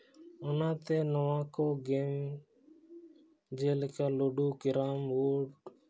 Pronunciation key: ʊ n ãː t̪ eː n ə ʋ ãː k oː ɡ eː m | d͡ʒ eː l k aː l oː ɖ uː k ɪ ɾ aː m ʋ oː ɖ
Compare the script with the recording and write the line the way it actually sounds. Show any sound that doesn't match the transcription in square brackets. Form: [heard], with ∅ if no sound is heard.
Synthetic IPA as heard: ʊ n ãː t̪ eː n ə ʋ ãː k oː ɡ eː m | d͡ʒ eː l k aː l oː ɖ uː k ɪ ɾ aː m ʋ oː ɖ